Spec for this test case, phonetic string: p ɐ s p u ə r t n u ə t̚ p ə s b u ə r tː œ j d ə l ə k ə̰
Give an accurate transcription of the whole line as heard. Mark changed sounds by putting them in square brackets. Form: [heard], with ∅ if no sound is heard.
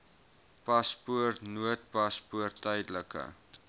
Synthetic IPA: p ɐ s p u ə r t n u ə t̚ p [ɐ] s [p] u ə r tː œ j d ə l ə k ə̰